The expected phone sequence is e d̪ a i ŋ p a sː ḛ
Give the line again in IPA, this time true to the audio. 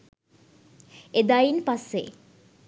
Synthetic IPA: e d̪ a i n p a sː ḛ